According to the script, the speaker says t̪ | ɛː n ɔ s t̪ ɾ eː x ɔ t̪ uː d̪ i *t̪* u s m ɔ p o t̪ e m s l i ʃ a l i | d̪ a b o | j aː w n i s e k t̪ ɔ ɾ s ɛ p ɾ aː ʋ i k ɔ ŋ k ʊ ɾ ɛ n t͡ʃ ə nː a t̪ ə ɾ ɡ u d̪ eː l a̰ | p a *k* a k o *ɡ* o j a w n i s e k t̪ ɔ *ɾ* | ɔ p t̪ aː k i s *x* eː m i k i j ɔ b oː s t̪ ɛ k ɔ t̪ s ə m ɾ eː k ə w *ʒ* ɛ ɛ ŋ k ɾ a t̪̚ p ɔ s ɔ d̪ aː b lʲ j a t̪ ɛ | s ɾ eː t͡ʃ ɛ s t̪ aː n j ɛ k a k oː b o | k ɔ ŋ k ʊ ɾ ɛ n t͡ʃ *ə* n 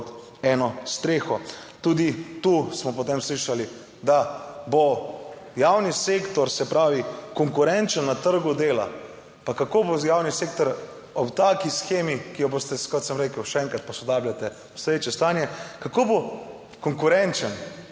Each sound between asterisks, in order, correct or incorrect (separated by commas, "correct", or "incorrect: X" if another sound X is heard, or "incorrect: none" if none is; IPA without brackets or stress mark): correct, correct, incorrect: b, correct, correct, incorrect: ʃ, correct